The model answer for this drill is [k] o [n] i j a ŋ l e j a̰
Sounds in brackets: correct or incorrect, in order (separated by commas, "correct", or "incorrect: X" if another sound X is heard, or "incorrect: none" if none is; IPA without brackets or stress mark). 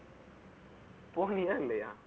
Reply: incorrect: p, correct